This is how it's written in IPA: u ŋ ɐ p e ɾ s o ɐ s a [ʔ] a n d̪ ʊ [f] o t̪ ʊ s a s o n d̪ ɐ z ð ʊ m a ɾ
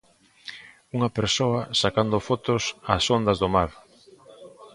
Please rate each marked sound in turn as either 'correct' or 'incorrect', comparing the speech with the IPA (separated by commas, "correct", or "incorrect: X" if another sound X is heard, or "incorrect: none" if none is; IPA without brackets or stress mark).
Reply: incorrect: k, correct